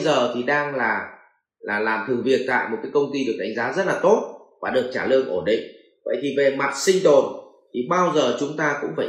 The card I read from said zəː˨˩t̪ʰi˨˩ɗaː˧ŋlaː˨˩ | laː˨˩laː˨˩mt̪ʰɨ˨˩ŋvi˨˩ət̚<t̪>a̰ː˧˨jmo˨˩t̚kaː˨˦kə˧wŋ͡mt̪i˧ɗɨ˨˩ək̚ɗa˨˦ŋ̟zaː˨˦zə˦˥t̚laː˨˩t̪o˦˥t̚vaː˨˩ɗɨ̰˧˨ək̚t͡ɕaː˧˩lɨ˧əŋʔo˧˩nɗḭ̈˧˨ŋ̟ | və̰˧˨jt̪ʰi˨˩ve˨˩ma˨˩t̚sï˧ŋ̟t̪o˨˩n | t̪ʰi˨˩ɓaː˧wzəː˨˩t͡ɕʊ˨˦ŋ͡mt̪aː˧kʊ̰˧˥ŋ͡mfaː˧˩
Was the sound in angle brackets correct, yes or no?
yes